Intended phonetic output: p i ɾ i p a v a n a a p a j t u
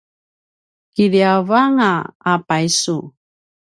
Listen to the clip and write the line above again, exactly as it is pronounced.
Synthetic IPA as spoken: k i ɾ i a v a ŋ a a p a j s u